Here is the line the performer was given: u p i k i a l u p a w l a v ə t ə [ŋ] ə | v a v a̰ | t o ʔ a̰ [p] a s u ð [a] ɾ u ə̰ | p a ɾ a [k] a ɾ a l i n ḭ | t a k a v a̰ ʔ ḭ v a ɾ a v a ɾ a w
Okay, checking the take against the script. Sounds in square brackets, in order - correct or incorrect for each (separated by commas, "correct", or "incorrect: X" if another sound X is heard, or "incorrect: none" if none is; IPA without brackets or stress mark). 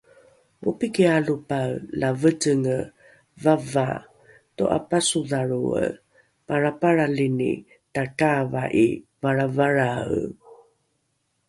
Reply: correct, correct, correct, incorrect: p